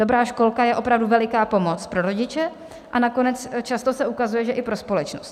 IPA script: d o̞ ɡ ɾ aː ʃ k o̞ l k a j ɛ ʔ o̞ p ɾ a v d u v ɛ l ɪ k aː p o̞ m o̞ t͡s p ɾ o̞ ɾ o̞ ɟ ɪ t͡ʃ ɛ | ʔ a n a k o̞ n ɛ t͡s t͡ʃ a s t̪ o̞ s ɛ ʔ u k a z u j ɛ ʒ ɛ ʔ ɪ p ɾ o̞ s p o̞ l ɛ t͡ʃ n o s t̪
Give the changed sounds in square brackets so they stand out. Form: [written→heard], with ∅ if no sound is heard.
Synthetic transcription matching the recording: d o̞ [ɡ→b] ɾ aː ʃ k o̞ l k a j ɛ ʔ o̞ p ɾ a v d u v ɛ l ɪ k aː p o̞ m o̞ t͡s p ɾ o̞ ɾ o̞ ɟ ɪ t͡ʃ ɛ | ʔ a n a k o̞ n ɛ t͡s t͡ʃ a s t̪ o̞ s ɛ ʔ u k a z u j ɛ ʒ ɛ ʔ ɪ p ɾ o̞ s p o̞ l ɛ t͡ʃ n o s t̪